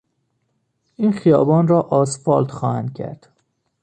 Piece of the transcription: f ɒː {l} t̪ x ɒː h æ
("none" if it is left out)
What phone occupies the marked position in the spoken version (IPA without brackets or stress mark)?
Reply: l